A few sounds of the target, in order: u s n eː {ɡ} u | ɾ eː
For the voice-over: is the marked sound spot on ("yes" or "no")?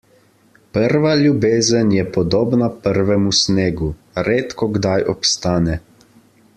yes